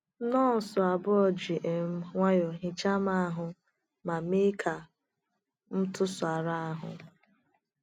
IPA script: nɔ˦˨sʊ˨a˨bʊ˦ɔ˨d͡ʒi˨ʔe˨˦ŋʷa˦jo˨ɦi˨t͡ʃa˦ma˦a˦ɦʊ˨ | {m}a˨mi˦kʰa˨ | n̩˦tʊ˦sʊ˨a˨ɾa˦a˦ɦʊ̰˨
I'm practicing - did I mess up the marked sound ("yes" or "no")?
no